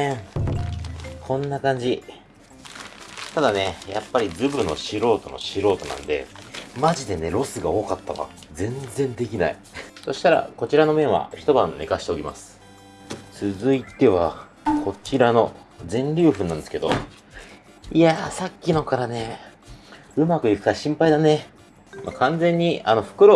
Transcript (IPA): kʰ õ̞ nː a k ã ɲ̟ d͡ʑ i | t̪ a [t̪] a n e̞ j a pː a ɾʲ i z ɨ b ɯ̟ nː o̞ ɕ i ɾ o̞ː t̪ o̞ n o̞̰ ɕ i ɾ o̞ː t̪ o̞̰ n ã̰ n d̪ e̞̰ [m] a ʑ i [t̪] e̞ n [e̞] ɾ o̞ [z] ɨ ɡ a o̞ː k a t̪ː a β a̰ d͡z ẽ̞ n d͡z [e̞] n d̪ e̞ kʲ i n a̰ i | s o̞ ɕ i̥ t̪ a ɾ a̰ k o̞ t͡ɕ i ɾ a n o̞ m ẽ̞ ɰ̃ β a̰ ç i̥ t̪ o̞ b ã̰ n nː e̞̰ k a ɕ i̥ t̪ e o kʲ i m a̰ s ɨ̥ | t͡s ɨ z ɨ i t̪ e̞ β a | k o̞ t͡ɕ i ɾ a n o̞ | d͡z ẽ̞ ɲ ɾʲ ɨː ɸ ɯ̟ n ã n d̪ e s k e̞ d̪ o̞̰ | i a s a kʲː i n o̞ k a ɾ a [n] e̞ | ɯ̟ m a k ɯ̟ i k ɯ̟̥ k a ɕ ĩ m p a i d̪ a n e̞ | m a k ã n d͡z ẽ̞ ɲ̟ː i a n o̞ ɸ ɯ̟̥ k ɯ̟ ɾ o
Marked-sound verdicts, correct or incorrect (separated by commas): incorrect, correct, incorrect, correct, incorrect, incorrect, correct